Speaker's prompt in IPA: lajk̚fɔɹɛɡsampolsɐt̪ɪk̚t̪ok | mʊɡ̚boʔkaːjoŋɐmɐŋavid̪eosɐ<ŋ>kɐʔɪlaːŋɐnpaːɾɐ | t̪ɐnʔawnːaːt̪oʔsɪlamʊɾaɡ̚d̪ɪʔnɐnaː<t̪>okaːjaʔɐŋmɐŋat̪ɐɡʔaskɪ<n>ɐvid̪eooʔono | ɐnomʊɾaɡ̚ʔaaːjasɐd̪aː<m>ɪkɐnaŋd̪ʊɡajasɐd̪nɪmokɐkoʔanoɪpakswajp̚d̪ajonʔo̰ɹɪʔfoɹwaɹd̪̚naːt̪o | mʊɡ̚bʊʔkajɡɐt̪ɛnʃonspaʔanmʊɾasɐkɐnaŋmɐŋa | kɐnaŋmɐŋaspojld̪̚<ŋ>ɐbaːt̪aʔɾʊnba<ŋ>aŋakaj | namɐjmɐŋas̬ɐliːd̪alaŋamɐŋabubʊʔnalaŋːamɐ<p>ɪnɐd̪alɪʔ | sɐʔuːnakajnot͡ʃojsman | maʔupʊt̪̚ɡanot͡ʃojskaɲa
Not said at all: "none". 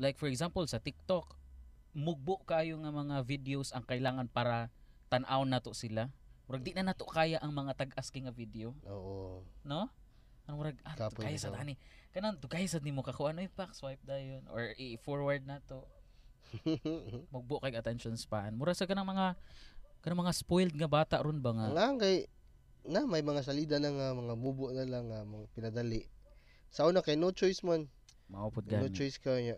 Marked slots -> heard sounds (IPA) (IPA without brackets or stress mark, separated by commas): ŋ, t̪, ŋ, n, ŋ, ŋ, p